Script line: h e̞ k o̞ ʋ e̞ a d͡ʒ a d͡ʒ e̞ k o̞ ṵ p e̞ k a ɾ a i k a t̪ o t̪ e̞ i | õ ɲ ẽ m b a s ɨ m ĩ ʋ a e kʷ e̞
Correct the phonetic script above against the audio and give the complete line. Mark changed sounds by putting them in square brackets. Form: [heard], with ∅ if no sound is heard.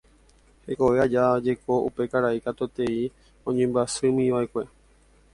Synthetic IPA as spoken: h e̞ k o̞ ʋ e̞ a d͡ʒ a d͡ʒ e̞ k o̞ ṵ p e̞ k a ɾ a i k a t̪ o t̪ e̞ i | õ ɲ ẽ m b a s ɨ m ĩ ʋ a e kʷ e̞